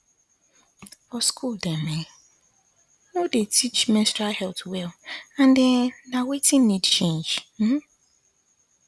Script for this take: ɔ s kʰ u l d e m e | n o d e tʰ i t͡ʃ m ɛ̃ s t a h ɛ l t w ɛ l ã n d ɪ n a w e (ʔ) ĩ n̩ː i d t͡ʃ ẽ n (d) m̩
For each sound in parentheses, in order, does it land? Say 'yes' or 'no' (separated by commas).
no, no